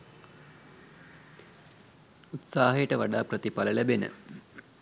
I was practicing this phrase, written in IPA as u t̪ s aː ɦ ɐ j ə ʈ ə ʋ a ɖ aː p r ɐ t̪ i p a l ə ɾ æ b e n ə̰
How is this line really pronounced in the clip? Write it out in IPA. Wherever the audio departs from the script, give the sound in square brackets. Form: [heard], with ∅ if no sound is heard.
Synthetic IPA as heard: u t̪ s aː ɦ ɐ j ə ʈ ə ʋ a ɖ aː p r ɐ t̪ i p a l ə [l] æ b e n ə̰